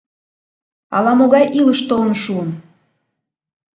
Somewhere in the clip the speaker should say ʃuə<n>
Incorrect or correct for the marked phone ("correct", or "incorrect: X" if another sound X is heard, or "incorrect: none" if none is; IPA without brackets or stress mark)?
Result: correct